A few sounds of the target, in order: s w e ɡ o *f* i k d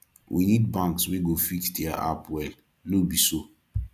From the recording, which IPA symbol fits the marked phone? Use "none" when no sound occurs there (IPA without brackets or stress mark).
f